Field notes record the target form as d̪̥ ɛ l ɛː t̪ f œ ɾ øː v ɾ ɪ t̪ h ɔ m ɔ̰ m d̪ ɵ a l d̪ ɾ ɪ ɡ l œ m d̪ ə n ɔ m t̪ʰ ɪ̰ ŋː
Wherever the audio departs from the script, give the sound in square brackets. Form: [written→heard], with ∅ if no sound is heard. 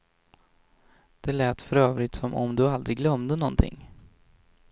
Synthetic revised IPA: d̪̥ ɛ l ɛː t̪ f œ ɾ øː v ɾ ɪ t̪ [h→s] ɔ m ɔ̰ m d̪ ɵ a l d̪ ɾ ɪ ɡ l œ m d̪ ə n ɔ [m→n] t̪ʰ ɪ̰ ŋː